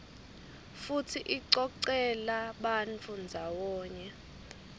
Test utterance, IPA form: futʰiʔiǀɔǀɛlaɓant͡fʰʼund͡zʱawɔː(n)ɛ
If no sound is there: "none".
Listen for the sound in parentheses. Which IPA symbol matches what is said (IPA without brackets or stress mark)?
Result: ɲ